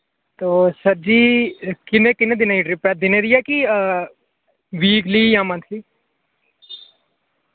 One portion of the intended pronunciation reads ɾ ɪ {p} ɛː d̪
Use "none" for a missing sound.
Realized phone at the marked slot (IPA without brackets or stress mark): p